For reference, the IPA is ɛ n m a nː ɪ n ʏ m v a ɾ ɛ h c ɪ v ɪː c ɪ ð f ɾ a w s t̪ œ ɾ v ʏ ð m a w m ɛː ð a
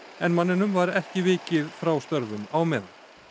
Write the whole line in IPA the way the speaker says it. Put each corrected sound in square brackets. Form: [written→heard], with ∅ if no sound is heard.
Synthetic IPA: ɛ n m a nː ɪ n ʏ m v a ɾ ɛ h c ɪ v ɪː c ɪ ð f ɾ a w s t̪ œ ɾ v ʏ [ð→∅] m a w m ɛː ð a